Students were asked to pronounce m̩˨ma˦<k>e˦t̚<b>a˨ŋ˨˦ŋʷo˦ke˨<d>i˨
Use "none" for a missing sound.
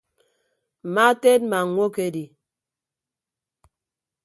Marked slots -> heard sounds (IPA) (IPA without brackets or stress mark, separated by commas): t, m, d